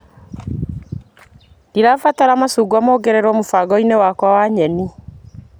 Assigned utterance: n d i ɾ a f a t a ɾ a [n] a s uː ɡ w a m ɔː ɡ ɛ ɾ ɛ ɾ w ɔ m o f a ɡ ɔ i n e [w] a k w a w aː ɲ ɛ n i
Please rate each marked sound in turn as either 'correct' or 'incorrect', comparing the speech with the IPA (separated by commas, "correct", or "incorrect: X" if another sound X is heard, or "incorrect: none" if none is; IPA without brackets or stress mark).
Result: incorrect: m, correct